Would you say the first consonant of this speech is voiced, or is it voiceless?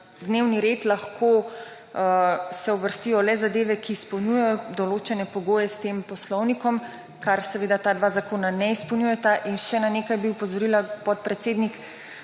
voiced